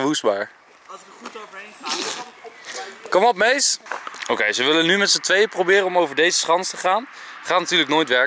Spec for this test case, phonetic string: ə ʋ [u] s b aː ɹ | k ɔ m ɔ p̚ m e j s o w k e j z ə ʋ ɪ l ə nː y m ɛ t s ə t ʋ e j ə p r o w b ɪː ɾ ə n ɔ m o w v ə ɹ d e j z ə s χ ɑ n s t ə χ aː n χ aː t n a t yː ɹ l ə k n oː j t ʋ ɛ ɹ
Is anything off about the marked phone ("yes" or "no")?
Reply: no